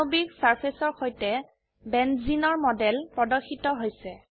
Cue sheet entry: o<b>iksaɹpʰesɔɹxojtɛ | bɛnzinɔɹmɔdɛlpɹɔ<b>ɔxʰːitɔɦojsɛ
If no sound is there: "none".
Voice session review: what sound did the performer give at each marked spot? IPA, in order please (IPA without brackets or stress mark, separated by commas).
b, d